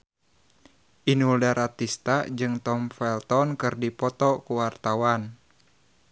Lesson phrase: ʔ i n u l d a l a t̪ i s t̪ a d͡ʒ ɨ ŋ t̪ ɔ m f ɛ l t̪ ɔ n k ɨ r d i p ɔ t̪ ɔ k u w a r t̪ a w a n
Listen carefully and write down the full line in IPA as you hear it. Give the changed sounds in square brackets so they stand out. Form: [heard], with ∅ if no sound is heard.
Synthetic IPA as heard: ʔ i n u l d a [ɾ] a t̪ i s t̪ a d͡ʒ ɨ ŋ t̪ ɔ m f ɛ l t̪ ɔ n k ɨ r d i p ɔ t̪ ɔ k u w a r t̪ a w a n